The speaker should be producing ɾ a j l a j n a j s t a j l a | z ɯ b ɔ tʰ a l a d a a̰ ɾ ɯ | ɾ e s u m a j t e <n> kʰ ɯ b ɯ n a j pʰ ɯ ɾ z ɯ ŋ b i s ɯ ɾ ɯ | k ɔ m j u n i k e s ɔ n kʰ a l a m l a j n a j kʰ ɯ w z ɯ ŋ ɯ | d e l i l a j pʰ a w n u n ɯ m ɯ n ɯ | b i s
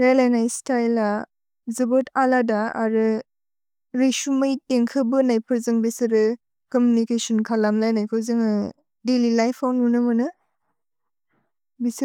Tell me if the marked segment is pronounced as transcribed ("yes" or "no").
no